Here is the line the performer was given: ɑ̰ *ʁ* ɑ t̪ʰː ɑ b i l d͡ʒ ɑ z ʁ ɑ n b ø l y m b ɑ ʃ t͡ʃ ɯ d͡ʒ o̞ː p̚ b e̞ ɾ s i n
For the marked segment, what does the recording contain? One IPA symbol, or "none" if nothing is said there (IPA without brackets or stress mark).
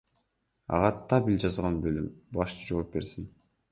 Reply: ʁ